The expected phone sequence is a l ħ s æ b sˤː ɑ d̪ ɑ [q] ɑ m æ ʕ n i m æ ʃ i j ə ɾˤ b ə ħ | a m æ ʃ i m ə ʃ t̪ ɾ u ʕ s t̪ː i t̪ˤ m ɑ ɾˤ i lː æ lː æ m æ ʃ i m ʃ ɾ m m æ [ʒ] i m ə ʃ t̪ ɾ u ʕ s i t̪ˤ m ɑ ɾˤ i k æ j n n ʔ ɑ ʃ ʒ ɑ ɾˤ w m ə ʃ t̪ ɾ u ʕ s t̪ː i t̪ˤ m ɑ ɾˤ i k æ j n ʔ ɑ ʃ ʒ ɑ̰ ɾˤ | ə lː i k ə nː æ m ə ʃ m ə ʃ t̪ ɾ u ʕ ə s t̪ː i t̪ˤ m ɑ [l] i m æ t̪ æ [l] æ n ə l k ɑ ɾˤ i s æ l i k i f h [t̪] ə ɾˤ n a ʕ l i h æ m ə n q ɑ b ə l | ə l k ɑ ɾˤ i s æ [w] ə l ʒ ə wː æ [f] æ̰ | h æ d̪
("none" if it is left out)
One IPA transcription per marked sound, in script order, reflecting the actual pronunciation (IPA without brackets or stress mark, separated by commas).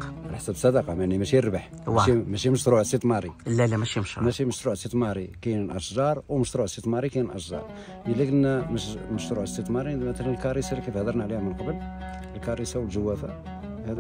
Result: q, ʃ, ɾ, l, d̪, w, f